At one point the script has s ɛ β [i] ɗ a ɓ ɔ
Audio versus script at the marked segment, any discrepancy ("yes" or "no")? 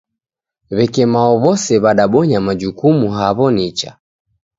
yes